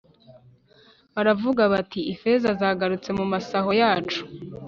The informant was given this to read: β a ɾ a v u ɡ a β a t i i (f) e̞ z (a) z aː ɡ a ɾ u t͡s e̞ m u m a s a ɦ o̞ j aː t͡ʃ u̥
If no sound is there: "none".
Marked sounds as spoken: f, a

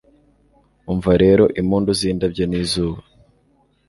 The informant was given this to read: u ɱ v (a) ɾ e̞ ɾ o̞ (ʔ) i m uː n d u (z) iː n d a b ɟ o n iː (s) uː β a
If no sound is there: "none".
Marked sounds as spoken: a, ʔ, z, z

